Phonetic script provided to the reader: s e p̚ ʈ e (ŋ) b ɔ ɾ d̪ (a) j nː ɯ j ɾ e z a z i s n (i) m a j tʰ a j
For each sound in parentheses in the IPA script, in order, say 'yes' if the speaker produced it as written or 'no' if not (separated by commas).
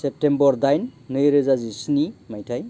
no, yes, yes